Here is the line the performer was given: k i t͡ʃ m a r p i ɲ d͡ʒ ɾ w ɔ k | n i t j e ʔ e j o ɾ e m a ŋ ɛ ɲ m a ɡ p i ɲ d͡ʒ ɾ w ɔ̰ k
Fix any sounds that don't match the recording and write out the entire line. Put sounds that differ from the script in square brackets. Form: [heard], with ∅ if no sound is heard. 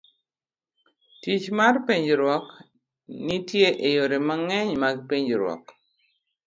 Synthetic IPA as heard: [t] i t͡ʃ m a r p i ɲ d͡ʒ ɾ w ɔ k | n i t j e ʔ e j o ɾ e m a ŋ ɛ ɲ m a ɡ p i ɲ d͡ʒ ɾ w ɔ̰ k